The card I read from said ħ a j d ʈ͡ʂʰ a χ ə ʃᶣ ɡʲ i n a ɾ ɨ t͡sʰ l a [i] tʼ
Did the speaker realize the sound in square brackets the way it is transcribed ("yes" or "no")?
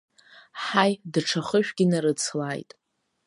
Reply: no